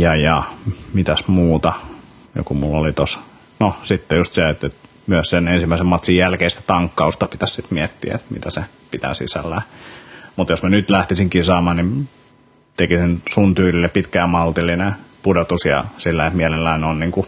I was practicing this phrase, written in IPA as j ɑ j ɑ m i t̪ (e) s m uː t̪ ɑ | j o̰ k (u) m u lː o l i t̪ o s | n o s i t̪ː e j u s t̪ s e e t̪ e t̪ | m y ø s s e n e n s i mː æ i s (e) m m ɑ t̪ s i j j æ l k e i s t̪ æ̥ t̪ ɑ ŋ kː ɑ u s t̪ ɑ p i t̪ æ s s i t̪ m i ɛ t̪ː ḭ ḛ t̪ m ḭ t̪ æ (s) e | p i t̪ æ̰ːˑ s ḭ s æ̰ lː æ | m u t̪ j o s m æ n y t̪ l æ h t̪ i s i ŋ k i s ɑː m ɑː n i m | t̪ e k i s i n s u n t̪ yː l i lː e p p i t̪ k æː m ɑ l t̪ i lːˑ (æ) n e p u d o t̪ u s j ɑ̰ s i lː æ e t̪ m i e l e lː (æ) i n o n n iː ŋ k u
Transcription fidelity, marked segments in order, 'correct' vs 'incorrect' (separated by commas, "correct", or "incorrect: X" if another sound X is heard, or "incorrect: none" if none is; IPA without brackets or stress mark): incorrect: æ, correct, correct, correct, incorrect: i, correct